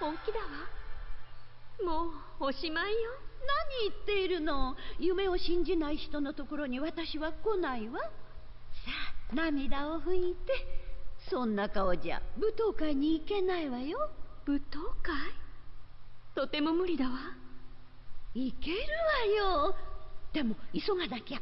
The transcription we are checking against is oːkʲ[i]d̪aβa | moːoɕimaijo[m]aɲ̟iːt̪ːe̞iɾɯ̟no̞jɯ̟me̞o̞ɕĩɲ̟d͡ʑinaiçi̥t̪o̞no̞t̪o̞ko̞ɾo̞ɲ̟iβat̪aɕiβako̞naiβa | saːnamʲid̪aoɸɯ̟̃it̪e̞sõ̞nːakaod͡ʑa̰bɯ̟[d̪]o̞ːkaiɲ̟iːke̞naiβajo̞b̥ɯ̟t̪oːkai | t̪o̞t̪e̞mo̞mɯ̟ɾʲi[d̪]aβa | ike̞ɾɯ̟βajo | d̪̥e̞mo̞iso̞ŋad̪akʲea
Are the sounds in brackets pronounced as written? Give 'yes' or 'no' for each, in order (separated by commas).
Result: yes, no, no, yes